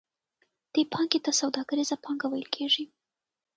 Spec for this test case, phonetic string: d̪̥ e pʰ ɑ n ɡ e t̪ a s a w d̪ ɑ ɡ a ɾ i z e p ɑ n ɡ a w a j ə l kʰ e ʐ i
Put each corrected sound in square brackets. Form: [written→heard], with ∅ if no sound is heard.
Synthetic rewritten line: d̪̥ e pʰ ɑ [n→ŋ] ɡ e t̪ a s a w d̪ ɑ ɡ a ɾ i z [e→a] p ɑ [n→ŋ] ɡ a w a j ə l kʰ e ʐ i